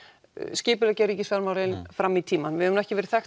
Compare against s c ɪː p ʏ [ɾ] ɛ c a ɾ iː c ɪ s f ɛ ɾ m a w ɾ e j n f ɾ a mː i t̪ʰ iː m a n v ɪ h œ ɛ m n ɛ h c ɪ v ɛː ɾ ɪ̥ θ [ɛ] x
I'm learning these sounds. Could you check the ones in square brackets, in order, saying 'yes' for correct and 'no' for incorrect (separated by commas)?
no, yes